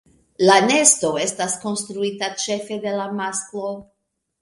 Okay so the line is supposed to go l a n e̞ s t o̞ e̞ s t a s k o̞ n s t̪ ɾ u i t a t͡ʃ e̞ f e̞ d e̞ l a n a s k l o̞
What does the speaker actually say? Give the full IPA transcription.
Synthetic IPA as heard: l a n e̞ s t o̞ e̞ s t a s k o̞ n s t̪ ɾ u i t a t͡ʃ e̞ f e̞ d e̞ l a m a s k l o̞